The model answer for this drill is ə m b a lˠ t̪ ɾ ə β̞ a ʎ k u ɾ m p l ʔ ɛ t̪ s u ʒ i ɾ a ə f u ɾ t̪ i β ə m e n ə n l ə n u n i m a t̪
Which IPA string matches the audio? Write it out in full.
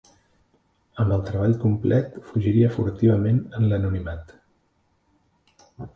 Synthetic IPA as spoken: ə m b ə lˠ t̪ ɾ ə β̞ a ʎ k u m p l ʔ ɛ t̪ f u ʒ i ɾ i ə f u ɾ t̪ i β ə m e n ə n l ə n u n i m a t̪